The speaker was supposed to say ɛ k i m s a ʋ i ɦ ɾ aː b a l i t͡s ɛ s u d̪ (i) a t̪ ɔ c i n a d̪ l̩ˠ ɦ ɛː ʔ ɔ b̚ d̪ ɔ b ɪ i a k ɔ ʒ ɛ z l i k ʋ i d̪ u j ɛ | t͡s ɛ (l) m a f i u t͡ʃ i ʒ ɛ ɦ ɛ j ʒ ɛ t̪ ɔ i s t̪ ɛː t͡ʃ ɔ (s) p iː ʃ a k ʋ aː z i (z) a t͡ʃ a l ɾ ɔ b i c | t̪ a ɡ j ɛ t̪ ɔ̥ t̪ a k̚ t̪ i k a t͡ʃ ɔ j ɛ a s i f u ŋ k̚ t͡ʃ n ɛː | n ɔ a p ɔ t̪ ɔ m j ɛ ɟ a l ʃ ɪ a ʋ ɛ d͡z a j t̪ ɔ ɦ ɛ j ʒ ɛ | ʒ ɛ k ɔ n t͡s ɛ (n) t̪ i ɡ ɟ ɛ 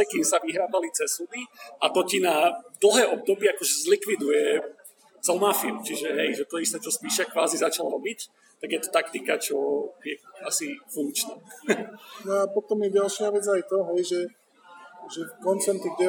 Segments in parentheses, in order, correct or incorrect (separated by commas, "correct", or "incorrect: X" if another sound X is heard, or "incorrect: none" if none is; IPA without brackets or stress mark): correct, correct, correct, correct, correct